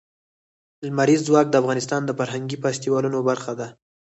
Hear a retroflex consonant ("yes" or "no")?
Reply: no